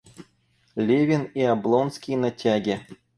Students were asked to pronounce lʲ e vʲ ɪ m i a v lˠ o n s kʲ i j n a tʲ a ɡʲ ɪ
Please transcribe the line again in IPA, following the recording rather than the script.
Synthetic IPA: lʲ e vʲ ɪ n i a b lˠ o n s kʲ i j n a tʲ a ɡʲ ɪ